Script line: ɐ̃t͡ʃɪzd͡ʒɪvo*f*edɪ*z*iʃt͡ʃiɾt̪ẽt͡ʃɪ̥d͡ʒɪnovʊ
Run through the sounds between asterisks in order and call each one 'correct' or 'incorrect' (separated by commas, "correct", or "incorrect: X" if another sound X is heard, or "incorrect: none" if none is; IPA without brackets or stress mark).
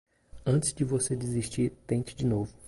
incorrect: s, correct